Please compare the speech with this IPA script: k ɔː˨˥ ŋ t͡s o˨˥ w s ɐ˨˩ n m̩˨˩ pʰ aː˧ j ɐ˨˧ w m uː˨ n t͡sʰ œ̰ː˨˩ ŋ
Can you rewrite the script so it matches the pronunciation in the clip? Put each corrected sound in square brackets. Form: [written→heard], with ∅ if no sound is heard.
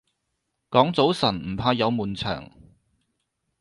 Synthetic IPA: k ɔː˨˥ ŋ t͡s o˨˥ w s ɐ˨˩ n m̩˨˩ pʰ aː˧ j ɐ˨˧ w m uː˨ n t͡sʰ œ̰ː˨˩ ŋ